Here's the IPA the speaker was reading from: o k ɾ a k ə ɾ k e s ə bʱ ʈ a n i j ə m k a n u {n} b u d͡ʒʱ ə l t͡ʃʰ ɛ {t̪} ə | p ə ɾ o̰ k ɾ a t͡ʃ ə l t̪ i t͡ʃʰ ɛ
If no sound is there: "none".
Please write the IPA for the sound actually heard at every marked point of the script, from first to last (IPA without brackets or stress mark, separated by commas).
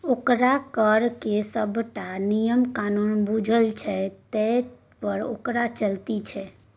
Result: n, t̪